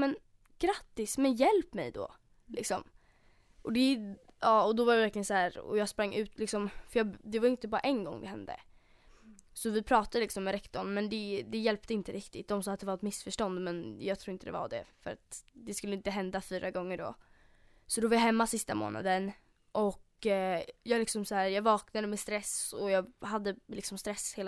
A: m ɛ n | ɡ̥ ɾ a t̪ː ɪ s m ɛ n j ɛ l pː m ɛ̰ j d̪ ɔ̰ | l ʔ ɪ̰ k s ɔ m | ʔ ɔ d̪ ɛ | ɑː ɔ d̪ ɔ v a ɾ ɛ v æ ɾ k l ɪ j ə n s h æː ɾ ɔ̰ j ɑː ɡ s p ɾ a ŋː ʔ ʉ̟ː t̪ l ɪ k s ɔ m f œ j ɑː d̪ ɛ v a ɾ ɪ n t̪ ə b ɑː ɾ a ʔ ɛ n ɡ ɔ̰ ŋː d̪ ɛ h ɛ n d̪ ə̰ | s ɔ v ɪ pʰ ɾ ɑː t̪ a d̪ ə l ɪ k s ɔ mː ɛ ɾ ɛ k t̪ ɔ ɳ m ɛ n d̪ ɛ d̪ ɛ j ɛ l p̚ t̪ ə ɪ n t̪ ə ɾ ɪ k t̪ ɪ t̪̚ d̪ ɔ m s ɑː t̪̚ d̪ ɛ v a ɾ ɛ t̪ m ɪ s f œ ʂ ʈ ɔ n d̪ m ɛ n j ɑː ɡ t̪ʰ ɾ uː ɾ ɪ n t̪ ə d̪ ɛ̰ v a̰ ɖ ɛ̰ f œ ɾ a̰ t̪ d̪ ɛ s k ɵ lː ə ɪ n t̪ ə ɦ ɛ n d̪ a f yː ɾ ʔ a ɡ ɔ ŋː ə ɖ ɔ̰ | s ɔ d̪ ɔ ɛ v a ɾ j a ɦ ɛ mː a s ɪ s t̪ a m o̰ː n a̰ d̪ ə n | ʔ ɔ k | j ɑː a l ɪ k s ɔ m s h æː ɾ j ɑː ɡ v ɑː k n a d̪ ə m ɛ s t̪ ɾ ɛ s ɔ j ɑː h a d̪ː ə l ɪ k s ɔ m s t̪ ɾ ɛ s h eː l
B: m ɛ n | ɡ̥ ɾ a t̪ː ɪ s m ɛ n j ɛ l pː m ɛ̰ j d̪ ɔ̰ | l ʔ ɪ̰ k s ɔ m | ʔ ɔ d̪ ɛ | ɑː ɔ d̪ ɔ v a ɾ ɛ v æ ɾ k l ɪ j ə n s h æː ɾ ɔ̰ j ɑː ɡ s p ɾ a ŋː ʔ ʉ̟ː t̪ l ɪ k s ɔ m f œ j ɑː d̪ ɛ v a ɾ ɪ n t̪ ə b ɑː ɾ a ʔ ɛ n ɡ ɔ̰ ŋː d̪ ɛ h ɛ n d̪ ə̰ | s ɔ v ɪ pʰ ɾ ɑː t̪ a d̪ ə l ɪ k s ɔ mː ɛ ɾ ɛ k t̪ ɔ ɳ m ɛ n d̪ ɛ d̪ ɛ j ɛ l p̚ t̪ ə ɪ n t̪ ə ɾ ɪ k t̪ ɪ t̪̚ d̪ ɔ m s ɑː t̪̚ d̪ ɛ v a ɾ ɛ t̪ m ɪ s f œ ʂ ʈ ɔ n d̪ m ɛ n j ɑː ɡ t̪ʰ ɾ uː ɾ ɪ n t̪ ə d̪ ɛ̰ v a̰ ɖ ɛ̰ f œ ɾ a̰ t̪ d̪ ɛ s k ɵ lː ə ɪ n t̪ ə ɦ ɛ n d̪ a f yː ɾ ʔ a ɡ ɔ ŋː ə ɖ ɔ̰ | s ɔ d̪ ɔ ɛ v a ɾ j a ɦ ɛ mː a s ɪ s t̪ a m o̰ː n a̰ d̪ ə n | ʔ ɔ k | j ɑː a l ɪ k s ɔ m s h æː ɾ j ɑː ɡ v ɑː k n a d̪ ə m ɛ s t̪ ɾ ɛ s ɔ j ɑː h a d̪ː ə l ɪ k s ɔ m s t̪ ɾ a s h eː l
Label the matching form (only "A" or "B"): A